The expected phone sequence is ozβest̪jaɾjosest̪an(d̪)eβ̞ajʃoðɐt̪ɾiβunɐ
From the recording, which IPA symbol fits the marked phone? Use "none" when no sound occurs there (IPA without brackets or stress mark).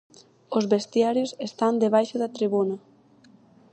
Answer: d̪